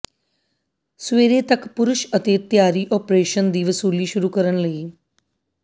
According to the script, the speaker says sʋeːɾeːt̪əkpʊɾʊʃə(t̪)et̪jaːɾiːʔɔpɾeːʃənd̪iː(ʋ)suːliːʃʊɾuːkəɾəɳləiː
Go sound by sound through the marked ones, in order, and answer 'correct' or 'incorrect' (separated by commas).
correct, correct